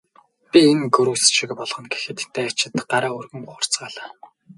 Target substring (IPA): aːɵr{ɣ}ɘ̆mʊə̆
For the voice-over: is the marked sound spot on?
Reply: yes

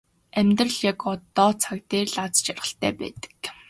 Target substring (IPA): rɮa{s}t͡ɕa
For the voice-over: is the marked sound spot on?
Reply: no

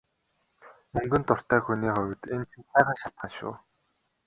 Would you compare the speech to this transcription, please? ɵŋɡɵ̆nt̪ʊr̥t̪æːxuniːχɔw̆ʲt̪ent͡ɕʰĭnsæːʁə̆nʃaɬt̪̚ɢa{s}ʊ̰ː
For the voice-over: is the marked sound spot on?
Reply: no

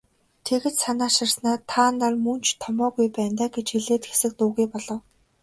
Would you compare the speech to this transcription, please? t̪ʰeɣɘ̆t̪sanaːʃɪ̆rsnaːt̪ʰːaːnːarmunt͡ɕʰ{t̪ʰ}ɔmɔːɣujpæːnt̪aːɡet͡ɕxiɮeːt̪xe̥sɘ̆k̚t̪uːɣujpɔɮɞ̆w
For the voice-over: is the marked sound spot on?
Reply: yes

